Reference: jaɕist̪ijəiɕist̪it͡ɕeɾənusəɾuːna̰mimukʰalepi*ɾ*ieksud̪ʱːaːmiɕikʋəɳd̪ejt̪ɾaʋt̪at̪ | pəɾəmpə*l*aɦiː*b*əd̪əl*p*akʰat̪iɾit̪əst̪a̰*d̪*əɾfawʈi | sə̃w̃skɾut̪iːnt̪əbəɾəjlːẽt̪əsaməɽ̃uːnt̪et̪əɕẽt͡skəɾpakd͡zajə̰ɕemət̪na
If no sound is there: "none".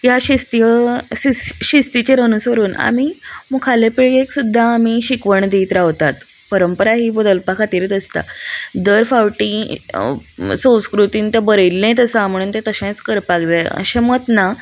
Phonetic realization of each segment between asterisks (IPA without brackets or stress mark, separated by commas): ɭ, ɾ, b, p, d̪